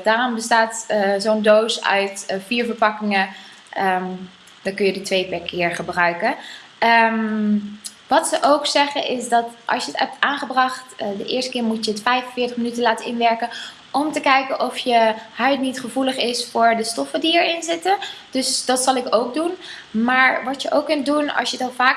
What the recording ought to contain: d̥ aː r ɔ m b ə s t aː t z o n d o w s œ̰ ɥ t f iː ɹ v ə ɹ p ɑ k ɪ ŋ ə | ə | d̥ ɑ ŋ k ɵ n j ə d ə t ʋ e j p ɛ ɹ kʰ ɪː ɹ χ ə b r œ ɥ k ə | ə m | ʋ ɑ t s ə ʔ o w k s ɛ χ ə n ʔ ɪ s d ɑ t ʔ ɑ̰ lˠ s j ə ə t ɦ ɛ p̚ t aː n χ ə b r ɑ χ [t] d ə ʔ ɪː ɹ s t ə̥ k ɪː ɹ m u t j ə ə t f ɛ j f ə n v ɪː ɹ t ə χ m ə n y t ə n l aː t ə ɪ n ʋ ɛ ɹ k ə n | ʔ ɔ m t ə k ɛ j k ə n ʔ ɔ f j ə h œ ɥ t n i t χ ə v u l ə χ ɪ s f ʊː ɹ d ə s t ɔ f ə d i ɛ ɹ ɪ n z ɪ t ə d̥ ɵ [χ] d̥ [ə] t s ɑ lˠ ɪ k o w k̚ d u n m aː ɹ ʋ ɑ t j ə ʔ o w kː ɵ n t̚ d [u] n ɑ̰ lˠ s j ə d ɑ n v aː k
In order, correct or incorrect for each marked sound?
correct, incorrect, incorrect, correct

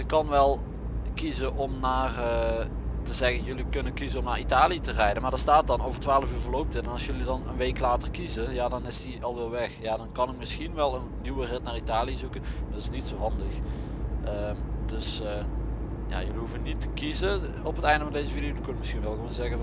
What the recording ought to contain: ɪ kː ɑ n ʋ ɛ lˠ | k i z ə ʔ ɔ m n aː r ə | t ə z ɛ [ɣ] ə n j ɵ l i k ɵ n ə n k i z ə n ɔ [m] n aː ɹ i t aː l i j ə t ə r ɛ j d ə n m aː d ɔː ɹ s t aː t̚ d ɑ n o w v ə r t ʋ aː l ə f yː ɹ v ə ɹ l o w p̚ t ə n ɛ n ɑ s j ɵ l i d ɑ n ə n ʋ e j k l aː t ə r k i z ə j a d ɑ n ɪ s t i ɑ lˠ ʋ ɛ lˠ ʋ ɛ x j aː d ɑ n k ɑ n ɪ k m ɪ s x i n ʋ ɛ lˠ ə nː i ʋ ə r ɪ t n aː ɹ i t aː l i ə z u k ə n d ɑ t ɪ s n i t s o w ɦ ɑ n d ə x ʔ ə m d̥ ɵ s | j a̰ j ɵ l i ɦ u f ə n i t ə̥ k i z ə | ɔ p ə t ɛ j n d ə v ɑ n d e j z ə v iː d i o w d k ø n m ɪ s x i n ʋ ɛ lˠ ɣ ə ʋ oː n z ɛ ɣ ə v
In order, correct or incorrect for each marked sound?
correct, correct

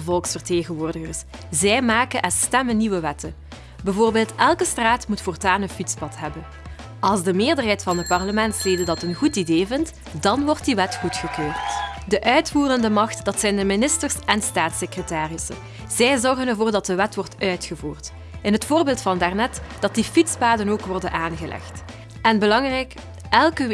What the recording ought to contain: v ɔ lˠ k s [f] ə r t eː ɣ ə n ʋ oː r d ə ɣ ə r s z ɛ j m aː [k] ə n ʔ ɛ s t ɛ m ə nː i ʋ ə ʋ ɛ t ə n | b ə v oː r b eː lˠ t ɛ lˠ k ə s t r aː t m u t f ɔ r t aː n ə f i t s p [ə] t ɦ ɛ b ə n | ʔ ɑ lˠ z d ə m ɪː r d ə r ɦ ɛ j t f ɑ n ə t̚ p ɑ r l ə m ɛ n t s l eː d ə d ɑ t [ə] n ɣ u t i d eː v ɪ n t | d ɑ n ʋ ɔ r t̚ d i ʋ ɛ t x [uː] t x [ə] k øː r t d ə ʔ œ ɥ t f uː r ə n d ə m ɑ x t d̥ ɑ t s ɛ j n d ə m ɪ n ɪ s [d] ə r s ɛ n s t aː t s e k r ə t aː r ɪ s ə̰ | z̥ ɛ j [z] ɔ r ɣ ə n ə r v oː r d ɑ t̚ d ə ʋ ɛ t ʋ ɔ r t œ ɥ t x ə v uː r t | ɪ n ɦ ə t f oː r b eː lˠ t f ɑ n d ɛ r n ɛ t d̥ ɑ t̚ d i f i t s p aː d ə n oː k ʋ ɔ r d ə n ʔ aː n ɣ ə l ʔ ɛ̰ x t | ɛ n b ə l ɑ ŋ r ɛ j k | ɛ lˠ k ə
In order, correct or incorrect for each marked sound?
correct, correct, incorrect, correct, incorrect, correct, incorrect, correct

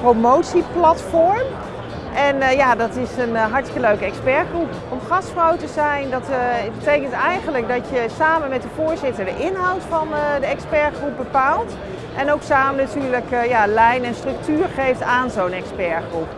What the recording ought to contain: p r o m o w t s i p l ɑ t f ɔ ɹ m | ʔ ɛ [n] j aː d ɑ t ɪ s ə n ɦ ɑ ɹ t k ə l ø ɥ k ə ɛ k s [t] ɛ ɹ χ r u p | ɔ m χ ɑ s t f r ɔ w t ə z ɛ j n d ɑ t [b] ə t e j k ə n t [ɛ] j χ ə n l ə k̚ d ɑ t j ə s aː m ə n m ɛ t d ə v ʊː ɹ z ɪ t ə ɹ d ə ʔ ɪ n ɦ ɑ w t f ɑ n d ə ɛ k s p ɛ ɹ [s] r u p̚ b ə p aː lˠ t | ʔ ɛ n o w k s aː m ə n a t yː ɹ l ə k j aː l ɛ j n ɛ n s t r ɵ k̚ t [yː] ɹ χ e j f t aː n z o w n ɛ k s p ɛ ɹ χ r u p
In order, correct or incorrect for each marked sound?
correct, incorrect, correct, correct, incorrect, correct

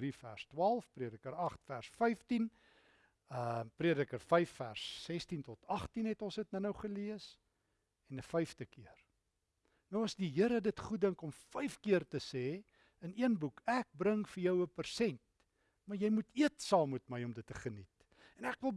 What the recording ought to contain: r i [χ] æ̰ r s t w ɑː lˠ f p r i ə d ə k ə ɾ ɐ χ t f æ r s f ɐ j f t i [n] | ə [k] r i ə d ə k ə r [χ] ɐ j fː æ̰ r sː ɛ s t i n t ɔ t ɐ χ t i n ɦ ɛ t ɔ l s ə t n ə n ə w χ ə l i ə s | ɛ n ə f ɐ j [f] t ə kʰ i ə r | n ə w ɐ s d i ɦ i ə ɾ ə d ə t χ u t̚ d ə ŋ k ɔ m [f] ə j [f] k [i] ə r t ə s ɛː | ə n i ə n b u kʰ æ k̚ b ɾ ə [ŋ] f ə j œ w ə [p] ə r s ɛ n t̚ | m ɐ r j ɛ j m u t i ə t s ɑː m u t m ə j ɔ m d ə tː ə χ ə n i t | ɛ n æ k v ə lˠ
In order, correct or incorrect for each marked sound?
incorrect, correct, incorrect, incorrect, correct, correct, correct, correct, correct, correct

